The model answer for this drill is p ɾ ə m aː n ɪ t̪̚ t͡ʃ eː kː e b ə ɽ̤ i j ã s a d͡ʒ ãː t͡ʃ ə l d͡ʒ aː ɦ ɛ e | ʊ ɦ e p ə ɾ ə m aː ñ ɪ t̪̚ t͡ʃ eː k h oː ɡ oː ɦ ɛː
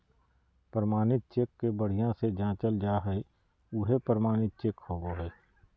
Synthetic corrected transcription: p ɾ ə m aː n ɪ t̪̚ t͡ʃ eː kː e b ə ɽ̤ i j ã s e d͡ʒ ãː t͡ʃ ə l d͡ʒ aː ɦ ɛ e | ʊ ɦ e p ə ɾ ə m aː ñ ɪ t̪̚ t͡ʃ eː k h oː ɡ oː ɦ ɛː